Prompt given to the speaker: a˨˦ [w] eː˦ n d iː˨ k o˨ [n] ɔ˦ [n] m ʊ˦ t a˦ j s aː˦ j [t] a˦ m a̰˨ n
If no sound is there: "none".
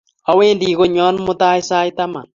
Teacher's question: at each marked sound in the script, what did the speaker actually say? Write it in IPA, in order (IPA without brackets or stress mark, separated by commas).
w, ɲ, n, t